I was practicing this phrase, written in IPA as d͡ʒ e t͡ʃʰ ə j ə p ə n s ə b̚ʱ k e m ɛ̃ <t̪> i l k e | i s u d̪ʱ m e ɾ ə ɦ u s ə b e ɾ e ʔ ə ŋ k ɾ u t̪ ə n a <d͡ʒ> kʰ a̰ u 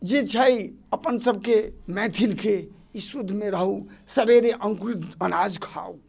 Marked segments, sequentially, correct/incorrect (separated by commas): incorrect, correct